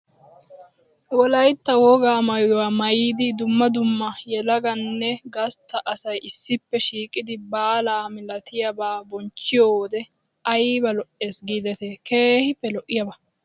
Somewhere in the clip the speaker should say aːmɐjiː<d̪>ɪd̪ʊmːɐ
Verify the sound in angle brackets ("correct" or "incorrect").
correct